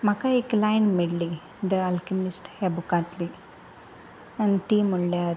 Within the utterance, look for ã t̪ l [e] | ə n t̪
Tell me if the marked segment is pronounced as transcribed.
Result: no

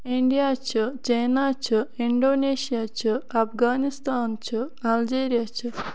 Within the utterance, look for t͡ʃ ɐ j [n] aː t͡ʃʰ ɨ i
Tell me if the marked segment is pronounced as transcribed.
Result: yes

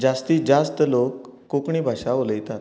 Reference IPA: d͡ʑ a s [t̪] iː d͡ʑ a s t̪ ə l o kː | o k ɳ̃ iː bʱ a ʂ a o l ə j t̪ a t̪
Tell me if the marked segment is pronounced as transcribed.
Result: yes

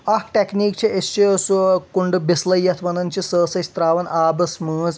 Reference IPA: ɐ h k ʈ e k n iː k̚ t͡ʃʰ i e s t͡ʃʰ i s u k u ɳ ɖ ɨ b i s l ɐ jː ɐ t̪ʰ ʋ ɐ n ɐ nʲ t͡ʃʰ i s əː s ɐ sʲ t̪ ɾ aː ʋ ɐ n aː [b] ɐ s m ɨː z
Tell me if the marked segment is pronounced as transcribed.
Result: yes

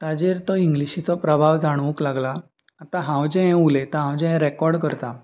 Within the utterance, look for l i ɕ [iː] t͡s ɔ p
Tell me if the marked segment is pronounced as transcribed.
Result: no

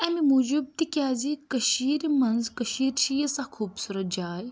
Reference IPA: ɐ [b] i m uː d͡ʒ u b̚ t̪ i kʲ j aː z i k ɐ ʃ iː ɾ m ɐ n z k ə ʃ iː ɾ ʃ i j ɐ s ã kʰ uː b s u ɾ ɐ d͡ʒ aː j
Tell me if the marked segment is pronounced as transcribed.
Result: no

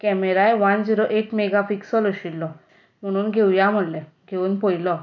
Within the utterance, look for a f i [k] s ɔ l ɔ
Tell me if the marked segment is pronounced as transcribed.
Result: yes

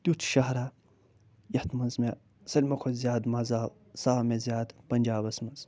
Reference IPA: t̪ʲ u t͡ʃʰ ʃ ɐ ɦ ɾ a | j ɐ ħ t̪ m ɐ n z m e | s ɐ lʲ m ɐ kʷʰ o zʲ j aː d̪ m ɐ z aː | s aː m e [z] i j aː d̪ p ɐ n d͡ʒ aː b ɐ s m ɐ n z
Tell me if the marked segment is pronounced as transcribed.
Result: yes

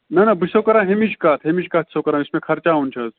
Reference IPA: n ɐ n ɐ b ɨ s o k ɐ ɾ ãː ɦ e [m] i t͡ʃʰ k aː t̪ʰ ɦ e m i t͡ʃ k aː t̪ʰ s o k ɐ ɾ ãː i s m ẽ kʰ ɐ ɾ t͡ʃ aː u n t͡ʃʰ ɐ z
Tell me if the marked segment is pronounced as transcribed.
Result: yes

